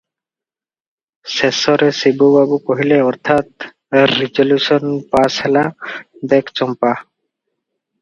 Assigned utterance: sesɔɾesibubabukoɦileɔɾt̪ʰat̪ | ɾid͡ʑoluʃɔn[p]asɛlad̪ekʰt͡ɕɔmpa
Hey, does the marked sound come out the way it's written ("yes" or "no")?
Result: yes